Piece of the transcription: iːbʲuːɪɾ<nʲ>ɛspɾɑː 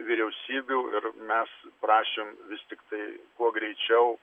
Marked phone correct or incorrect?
incorrect